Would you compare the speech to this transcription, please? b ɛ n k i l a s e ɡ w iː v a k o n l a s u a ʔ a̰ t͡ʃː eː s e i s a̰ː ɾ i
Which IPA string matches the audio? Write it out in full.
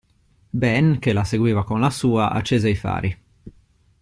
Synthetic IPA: b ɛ n k e l a s e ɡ w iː v a k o n l a s uː a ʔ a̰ t͡ʃː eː z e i f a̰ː ɾ i